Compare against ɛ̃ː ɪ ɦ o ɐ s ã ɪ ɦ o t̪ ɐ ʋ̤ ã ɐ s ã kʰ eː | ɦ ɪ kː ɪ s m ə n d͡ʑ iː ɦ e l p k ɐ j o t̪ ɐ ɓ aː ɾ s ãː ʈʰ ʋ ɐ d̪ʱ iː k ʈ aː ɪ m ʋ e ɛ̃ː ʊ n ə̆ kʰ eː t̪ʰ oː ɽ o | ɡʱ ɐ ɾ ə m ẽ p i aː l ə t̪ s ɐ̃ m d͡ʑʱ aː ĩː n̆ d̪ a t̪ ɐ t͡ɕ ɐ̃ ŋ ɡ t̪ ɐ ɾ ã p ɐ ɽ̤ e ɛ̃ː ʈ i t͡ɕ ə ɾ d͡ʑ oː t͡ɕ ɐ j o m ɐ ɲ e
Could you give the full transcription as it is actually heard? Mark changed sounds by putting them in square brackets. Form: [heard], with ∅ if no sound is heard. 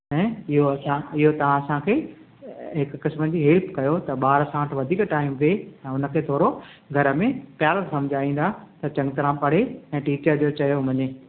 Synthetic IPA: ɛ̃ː ɪ ɦ o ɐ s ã ɪ ɦ o t̪ ɐ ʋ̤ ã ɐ s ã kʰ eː | ɦ ɪ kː ɪ s m ə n d͡ʑ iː ɦ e l p k ɐ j o t̪ ɐ ɓ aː ɾ s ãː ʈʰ ʋ ɐ d̪ʱ iː k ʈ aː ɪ m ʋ e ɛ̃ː ʊ n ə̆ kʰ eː t̪ʰ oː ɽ o | ɡʱ ɐ ɾ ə m ẽ p [j] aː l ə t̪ s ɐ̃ m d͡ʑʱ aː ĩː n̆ d̪ a t̪ ɐ t͡ɕ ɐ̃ ŋ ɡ t̪ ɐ ɾ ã p ɐ ɽ̤ e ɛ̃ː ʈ [iː] t͡ɕ ə ɾ d͡ʑ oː t͡ɕ ɐ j o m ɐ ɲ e

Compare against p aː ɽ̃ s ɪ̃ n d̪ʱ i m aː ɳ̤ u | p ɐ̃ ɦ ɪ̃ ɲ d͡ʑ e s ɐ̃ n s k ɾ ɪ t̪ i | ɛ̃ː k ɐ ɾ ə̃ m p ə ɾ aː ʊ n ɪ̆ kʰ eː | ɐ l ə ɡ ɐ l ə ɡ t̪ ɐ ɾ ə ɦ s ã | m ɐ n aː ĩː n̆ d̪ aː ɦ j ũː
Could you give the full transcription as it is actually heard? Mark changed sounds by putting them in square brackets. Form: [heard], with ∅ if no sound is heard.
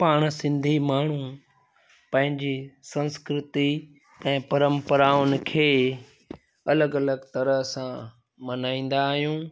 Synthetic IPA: p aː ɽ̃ s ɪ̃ n d̪ʱ i m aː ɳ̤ u | p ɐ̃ ɦ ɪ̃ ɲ d͡ʑ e s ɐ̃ n s k ɾ ɪ t̪ i | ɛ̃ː [p] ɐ ɾ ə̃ m p ə ɾ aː ʊ n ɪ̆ kʰ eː | ɐ l ə ɡ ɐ l ə ɡ t̪ ɐ ɾ ə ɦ s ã | m ɐ n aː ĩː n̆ d̪ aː ɦ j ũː

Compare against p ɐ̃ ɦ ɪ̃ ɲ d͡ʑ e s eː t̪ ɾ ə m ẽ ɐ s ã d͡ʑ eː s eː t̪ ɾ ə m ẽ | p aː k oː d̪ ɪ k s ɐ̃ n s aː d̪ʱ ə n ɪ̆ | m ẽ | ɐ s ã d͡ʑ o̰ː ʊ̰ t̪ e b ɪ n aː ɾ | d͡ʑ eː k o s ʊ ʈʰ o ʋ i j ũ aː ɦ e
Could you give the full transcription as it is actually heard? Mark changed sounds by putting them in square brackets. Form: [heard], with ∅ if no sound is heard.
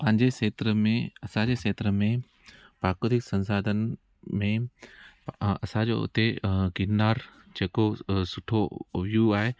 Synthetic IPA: p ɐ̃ ɦ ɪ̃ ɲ d͡ʑ e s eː t̪ ɾ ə m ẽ ɐ s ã d͡ʑ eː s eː t̪ ɾ ə m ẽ | p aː k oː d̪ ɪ k s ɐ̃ n s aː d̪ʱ ə n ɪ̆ | m ẽ | ɐ s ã d͡ʑ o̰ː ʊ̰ t̪ e [ɡ] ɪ n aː ɾ | d͡ʑ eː k o s ʊ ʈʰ o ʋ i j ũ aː ɦ e

